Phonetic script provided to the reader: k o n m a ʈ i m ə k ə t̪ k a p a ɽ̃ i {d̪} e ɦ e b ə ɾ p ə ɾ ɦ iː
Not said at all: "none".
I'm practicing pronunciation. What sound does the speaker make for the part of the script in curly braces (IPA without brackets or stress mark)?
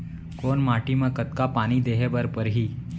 d̪